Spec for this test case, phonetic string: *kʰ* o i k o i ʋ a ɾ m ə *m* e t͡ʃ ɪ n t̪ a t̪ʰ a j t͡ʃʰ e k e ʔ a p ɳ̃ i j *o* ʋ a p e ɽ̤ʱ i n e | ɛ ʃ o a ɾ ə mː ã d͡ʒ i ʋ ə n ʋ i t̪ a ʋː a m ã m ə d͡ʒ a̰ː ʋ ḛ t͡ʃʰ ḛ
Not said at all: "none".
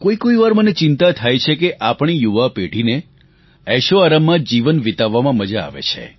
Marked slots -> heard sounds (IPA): k, n, u

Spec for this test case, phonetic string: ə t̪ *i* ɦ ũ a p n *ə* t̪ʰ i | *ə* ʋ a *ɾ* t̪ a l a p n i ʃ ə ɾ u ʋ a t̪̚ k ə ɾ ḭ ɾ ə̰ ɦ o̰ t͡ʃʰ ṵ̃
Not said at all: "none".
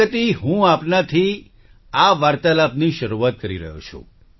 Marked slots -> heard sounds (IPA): i, a, a, ɾ

